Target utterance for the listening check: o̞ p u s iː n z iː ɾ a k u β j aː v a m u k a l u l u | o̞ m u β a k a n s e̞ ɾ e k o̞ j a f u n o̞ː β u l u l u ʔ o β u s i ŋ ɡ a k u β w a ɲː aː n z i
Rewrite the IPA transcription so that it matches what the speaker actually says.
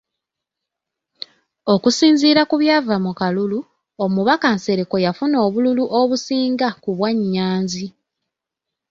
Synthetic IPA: o̞ k u s iː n z iː ɾ a k u β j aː v a m u k a l u l u | o̞ m u β a k a n s e̞ ɾ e k o̞ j a f u n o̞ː β u l u l u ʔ o β u s iː ŋ ɡ a k u β w a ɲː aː n z i